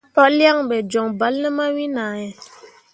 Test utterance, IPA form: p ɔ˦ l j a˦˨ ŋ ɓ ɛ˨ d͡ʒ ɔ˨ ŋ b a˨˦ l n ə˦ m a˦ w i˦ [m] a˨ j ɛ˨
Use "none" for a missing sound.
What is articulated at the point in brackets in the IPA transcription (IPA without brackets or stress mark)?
n